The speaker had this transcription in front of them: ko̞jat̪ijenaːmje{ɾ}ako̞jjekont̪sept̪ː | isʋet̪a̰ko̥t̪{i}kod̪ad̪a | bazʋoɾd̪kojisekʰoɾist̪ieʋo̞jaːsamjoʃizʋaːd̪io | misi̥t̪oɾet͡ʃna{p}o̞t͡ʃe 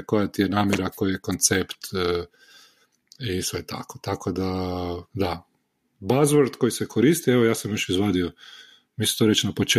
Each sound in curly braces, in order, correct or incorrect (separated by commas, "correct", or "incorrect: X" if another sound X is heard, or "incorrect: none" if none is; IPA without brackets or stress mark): correct, incorrect: a, correct